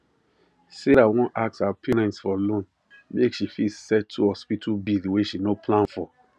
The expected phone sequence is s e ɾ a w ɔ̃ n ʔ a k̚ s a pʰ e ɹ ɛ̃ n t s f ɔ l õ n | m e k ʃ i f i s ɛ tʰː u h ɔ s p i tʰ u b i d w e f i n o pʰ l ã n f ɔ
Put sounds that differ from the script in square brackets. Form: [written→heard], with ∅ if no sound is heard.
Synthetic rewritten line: s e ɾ a w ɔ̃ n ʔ a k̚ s a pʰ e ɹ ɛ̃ n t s f ɔ l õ n | m e k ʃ i f i s ɛ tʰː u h ɔ s p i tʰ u b i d w e [f→ʃ] i n o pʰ l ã n f ɔ